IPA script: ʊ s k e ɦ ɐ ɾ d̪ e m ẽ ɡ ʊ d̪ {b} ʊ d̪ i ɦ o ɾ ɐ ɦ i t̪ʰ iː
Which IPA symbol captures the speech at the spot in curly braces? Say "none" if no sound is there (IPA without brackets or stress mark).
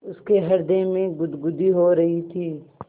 ɡ